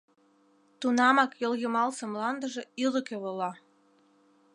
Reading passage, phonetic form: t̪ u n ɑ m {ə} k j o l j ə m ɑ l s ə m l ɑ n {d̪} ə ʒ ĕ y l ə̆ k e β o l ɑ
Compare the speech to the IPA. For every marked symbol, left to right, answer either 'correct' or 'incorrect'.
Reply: incorrect: ɑ, correct

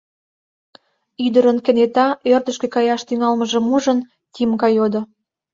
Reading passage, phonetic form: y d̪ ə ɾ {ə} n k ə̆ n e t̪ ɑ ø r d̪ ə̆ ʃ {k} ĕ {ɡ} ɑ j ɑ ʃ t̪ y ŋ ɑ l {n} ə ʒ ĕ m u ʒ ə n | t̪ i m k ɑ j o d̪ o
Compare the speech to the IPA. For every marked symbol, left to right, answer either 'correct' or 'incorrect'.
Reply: correct, correct, incorrect: k, incorrect: m

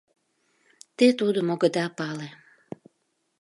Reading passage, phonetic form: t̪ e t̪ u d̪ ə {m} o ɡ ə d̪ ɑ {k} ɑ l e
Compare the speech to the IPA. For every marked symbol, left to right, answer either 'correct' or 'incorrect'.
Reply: correct, incorrect: p

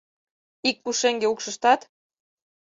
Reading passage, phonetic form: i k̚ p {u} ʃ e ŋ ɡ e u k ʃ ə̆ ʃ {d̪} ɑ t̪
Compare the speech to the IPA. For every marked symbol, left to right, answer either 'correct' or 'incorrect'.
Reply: correct, incorrect: t̪

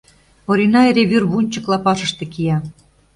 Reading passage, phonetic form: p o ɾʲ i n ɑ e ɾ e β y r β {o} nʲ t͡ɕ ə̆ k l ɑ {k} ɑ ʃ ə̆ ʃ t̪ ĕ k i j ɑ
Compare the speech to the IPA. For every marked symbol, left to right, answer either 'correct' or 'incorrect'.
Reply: incorrect: u, incorrect: p

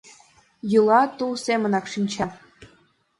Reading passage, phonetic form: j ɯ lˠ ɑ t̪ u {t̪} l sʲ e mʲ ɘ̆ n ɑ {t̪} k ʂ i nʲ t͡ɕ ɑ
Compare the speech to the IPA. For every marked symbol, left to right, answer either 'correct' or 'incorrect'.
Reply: incorrect: none, incorrect: none

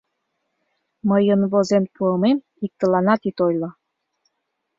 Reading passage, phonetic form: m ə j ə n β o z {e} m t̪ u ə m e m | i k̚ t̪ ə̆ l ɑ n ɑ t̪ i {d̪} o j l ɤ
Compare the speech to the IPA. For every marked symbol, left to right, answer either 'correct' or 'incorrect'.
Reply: correct, incorrect: t̪

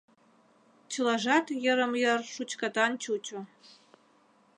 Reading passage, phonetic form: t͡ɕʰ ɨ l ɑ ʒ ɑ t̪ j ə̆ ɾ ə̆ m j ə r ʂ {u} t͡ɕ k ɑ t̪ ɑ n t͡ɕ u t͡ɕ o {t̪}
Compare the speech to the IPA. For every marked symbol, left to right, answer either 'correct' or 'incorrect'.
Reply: correct, incorrect: none

